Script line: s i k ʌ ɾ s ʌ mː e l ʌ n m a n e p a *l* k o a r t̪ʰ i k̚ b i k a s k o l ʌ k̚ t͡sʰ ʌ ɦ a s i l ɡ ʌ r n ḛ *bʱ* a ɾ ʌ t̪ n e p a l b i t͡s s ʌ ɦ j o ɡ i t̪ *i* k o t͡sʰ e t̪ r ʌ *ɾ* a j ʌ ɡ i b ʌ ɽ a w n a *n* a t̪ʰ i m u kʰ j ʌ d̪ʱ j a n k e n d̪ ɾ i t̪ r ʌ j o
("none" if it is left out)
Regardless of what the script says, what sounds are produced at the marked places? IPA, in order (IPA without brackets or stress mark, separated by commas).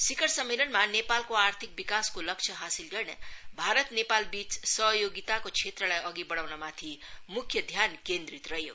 l, bʱ, a, l, m